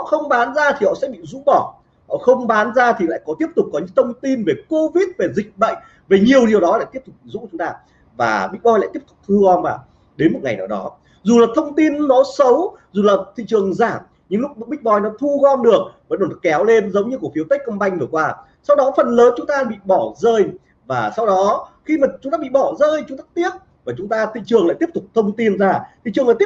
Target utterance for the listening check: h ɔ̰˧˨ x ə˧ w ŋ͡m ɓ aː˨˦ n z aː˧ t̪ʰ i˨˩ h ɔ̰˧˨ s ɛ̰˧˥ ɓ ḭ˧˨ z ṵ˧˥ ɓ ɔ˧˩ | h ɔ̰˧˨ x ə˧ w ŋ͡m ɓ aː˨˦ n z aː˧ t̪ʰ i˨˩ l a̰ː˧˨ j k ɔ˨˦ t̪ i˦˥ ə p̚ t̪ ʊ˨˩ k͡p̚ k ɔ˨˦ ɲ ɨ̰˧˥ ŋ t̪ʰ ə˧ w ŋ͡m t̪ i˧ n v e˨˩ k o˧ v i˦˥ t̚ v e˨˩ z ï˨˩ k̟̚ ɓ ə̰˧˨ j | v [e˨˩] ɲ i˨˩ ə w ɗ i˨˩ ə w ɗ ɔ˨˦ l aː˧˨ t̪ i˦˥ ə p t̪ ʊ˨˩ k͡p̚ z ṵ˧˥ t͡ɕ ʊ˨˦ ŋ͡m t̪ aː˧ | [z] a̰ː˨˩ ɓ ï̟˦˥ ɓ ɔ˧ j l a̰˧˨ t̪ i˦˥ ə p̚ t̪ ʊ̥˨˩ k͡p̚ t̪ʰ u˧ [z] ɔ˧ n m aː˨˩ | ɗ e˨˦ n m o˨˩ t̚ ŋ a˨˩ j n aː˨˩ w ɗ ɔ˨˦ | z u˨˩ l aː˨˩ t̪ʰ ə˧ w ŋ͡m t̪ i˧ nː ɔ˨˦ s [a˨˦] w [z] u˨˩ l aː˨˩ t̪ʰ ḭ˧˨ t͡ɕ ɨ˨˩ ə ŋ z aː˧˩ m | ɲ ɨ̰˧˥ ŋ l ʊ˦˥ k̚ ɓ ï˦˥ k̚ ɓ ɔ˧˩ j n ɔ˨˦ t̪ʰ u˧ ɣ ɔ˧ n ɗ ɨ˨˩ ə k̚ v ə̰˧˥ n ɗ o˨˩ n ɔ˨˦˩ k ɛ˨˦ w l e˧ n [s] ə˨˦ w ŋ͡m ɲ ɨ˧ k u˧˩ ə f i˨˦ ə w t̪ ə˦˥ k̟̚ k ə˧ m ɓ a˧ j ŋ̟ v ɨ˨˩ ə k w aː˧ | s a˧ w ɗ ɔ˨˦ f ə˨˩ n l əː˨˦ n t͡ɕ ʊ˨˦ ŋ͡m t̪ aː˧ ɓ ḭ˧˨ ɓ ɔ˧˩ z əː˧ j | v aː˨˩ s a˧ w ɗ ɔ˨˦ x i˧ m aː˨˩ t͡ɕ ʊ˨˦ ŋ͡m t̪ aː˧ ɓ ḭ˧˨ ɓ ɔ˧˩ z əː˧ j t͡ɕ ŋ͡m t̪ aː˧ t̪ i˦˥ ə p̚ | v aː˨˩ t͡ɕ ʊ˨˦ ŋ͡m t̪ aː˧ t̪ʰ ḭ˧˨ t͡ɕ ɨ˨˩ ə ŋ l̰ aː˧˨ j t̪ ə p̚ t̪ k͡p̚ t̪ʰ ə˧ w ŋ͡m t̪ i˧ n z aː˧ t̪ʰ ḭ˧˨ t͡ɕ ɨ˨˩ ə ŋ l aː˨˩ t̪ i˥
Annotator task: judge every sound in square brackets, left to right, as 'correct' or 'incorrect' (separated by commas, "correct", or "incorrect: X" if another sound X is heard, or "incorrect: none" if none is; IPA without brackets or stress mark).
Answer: correct, incorrect: v, incorrect: ɣ, incorrect: ə˨˦, correct, incorrect: z